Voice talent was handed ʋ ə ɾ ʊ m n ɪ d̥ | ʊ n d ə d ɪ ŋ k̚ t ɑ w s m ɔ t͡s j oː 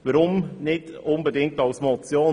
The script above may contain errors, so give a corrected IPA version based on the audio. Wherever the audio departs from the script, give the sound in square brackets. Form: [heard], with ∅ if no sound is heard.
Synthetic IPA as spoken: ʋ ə ɾ ʊ m n ɪ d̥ | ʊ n [b] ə d ɪ ŋ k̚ t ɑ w s m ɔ t͡s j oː